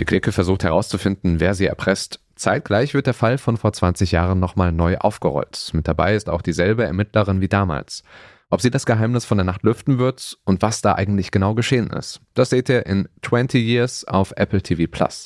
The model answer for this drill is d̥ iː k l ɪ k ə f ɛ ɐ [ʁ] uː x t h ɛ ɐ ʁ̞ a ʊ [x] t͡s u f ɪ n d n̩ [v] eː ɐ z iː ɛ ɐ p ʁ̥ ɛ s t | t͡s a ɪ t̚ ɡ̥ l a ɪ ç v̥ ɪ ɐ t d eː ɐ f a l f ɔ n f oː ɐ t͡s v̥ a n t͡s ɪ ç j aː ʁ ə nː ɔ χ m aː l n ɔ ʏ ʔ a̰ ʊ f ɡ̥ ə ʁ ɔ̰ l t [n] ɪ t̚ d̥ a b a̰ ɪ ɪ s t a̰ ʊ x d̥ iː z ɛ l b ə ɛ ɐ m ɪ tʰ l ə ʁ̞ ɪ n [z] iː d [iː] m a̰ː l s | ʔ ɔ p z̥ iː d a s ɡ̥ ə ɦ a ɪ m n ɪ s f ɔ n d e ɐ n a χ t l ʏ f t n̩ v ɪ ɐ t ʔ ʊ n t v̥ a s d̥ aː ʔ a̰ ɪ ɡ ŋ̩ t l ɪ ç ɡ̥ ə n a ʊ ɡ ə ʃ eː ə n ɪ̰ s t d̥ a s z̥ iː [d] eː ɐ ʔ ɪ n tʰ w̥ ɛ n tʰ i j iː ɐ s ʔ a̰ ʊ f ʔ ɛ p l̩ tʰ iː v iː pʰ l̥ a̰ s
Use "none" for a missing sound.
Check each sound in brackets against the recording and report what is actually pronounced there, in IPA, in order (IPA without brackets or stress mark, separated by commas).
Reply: z, s, v, m, v, aː, t